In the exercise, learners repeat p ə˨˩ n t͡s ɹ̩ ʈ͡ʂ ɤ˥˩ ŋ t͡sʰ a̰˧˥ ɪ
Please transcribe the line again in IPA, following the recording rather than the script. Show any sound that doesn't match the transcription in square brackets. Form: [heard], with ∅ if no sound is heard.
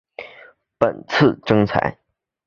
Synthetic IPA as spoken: p ə˨˩ n [t͡sʰ] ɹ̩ ʈ͡ʂ [ɤ˥] ŋ t͡sʰ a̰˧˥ ɪ